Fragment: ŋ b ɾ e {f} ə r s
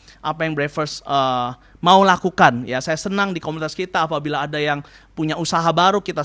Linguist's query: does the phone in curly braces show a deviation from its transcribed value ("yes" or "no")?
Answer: no